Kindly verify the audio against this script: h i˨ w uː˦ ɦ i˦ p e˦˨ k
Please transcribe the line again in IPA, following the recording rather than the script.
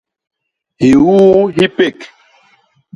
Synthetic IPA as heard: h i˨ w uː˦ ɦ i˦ p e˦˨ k